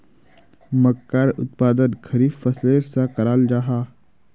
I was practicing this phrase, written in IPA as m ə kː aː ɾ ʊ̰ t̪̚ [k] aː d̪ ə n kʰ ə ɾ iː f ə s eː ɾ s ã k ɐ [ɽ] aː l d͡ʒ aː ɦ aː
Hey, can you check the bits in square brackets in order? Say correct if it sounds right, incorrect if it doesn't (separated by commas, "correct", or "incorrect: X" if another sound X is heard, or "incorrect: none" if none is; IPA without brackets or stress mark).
incorrect: p, incorrect: ɾ